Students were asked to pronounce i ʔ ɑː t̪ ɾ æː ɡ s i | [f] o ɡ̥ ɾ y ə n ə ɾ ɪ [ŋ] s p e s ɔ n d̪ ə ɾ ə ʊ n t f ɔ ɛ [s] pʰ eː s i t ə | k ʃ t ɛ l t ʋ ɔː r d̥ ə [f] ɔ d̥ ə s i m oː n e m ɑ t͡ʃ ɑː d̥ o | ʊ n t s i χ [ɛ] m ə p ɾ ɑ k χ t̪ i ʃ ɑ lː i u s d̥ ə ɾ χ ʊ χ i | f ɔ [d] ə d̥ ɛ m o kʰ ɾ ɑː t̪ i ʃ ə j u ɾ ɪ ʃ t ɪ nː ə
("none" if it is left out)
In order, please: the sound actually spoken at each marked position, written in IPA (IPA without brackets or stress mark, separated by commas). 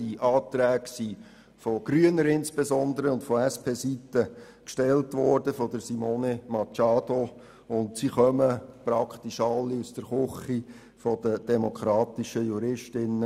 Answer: f, n, s, f, œ, d